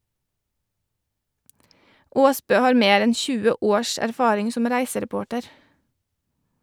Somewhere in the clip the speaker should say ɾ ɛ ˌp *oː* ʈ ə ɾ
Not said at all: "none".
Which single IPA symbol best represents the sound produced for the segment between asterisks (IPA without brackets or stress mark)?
oː